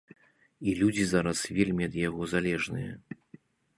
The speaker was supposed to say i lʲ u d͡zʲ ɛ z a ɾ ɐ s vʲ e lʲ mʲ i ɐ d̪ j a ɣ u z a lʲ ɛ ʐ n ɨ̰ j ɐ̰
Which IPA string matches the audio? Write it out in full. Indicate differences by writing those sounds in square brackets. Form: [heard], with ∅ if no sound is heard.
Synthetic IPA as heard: i lʲ u d͡zʲ [i] z a ɾ ɐ s vʲ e lʲ mʲ i ɐ d̪ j a ɣ [ɔ] z a lʲ ɛ ʐ n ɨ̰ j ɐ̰

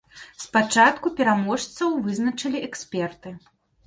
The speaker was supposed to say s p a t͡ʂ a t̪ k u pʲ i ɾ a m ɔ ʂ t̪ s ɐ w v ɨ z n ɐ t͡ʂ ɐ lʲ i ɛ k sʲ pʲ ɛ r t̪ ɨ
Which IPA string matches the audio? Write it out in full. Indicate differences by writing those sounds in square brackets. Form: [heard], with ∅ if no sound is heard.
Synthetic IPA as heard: s p a t͡ʂ a t̪ k u pʲ [ɛ] ɾ a m ɔ ʂ t̪ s ɐ w v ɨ z n ɐ t͡ʂ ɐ lʲ i ɛ k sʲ pʲ ɛ r t̪ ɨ

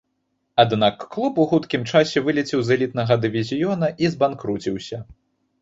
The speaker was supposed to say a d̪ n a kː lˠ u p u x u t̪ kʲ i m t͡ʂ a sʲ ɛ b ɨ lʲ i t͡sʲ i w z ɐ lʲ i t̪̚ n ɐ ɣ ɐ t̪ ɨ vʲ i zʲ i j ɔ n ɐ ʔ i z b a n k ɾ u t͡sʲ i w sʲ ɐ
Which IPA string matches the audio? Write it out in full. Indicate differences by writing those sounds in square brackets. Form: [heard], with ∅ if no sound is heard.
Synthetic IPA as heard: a d̪ n a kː lˠ u p u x u t̪ kʲ i m t͡ʂ a sʲ ɛ [v] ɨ lʲ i t͡sʲ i w z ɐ lʲ i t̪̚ n ɐ ɣ ɐ [d̪] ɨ vʲ i zʲ i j ɔ n ɐ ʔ i z b a n k ɾ u t͡sʲ i w sʲ ɐ

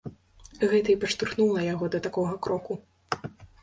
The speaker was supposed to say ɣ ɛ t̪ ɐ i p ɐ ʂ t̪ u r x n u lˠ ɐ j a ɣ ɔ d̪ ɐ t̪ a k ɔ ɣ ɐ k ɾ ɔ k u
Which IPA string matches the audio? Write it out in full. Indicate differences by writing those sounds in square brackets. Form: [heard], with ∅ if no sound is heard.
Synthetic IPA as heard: ɣ ɛ t̪ ɐ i p ɐ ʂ t̪ u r x n u lˠ ɐ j a ɣ ɔ d̪ ɐ t̪ a k ɔ ɣ ɐ k ɾ ɔ k u

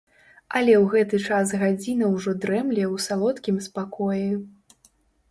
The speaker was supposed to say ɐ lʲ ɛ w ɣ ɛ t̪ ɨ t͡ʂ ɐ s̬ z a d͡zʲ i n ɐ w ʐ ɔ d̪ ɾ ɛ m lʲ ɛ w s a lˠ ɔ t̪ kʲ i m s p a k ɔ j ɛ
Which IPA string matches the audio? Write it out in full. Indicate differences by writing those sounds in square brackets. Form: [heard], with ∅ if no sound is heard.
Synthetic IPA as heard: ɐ lʲ ɛ w ɣ ɛ t̪ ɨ t͡ʂ [a] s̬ [ɣ] a d͡zʲ i n ɐ w ʐ ɔ d̪ ɾ ɛ m lʲ ɛ w s a lˠ ɔ t̪ kʲ i m s p a k ɔ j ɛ

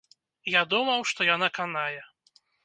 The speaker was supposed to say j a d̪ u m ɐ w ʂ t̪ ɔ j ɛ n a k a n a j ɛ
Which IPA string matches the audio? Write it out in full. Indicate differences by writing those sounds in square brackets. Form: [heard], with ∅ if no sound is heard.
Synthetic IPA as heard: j a d̪ u m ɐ w ʂ t̪ ɔ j [a] n a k a n a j ɛ

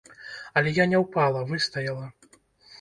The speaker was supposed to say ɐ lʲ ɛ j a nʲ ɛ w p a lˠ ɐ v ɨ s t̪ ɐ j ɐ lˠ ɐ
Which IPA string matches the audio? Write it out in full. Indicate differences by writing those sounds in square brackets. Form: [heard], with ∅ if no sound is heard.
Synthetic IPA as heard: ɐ lʲ ɛ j a nʲ ɛ w p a lˠ ɐ v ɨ s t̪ ɐ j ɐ lˠ ɐ

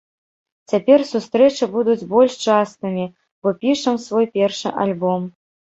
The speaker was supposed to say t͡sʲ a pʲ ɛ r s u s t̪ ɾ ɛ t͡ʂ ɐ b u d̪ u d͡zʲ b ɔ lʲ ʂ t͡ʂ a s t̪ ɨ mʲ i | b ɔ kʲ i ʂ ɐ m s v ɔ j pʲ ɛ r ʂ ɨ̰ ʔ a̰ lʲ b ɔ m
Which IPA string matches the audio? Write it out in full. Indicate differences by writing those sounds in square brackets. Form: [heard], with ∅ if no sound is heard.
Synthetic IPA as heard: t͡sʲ a pʲ ɛ r s u s t̪ ɾ ɛ t͡ʂ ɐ b u d̪ u d͡zʲ b ɔ lʲ ʂ t͡ʂ a s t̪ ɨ mʲ i | b ɔ [pʲ] i ʂ ɐ m s v ɔ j pʲ ɛ r ʂ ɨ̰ ʔ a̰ lʲ b ɔ m

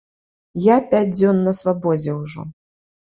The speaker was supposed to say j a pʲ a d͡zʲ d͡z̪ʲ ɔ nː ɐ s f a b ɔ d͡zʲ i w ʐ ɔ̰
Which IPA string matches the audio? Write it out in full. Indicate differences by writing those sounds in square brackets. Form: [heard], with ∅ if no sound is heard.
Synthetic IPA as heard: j a pʲ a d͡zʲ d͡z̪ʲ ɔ nː ɐ s [v] a b ɔ d͡zʲ [ɛ] w ʐ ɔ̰

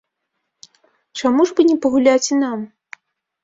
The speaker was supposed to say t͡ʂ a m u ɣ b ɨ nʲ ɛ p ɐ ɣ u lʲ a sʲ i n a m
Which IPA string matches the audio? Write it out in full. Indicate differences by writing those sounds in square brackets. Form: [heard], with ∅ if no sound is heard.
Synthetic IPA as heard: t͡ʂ a m u [ʐ] b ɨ nʲ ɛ p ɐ ɣ u lʲ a [t͡sʲ] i n a m

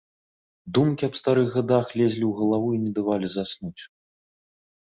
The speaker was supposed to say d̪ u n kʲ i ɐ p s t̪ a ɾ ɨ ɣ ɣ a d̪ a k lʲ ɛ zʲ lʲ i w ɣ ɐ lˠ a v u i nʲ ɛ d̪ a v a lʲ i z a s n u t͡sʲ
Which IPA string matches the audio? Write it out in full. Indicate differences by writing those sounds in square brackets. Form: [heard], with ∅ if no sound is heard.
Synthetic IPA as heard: d̪ u [m] kʲ i ɐ p s t̪ a ɾ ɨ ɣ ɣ a d̪ a [x] lʲ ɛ zʲ lʲ i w ɣ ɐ lˠ a v u i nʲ ɛ d̪ a v a lʲ i z a s n u t͡sʲ

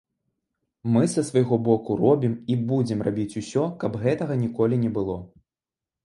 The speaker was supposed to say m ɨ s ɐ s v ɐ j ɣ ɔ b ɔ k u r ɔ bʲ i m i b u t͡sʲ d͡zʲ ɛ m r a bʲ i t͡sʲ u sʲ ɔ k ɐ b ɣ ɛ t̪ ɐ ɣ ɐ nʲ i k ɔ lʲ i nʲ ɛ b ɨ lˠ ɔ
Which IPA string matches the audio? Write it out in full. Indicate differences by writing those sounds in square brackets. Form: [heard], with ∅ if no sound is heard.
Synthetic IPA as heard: m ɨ s ɐ s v ɐ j ɣ ɔ b ɔ k u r ɔ bʲ i m i b u [∅] d͡zʲ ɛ m r a bʲ i t͡sʲ u sʲ ɔ k ɐ b ɣ ɛ t̪ ɐ ɣ ɐ nʲ i k ɔ lʲ i nʲ ɛ b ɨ lˠ ɔ

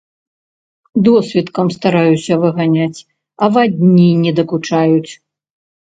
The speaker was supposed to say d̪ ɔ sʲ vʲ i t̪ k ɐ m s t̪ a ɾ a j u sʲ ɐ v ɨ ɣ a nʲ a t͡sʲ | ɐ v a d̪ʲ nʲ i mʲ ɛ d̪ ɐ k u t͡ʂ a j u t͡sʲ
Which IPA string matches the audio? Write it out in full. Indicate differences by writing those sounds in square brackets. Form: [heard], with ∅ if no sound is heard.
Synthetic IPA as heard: d̪ ɔ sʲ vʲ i t̪ k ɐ m s t̪ a ɾ a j u sʲ ɐ v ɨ ɣ a nʲ a t͡sʲ | ɐ v a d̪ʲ nʲ i [nʲ] ɛ d̪ ɐ k u t͡ʂ a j u t͡sʲ

